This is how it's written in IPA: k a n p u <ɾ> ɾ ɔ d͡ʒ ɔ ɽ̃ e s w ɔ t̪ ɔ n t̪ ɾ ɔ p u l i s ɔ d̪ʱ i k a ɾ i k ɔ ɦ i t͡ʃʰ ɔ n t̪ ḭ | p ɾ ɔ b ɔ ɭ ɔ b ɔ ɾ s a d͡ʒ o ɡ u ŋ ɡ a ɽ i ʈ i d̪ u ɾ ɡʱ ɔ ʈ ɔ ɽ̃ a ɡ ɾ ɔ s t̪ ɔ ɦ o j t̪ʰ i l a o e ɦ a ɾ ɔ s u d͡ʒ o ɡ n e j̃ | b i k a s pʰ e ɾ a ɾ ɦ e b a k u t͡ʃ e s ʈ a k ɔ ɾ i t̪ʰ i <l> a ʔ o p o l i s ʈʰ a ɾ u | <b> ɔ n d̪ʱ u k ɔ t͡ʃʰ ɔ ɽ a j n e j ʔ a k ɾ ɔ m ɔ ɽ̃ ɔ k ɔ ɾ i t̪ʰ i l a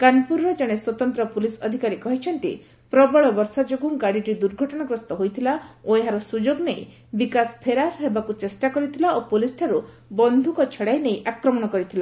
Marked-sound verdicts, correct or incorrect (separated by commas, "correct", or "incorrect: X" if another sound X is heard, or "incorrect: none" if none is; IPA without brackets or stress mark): correct, correct, correct